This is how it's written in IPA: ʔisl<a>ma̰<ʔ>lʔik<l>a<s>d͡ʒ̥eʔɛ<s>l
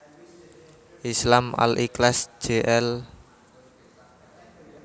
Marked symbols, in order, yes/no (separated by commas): yes, no, yes, yes, no